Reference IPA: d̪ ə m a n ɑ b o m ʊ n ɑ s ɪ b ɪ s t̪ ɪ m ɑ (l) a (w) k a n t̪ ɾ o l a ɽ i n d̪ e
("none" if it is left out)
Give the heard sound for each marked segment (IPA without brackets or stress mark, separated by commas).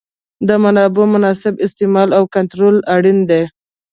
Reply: l, w